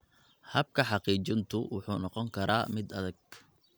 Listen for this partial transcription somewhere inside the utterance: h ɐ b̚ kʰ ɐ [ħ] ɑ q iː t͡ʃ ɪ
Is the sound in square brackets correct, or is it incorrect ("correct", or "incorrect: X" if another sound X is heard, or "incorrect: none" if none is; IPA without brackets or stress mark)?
correct